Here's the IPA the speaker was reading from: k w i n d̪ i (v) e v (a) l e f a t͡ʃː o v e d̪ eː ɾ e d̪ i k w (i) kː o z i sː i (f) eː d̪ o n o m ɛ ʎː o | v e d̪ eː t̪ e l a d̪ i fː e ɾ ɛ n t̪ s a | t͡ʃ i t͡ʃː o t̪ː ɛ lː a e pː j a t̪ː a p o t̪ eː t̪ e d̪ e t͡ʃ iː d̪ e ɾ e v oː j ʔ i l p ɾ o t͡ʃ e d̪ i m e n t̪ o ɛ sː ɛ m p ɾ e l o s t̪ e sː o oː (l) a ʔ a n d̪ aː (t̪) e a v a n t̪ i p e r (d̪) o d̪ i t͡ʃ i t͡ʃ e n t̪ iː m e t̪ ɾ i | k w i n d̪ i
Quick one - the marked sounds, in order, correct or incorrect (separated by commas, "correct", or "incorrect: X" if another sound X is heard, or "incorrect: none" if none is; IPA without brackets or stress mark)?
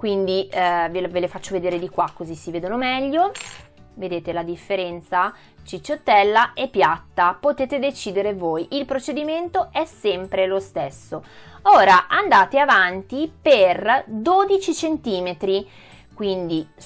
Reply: correct, incorrect: e, incorrect: a, incorrect: v, incorrect: ɾ, correct, correct